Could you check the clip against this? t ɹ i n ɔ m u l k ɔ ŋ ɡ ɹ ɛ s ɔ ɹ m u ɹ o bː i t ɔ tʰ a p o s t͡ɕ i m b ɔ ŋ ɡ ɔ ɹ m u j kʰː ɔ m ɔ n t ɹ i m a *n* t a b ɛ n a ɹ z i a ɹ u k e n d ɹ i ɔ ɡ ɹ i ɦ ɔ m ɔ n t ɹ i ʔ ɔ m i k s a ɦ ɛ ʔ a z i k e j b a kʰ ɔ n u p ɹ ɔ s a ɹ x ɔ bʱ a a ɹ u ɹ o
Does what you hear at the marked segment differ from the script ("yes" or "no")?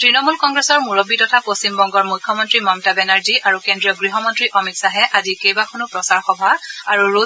yes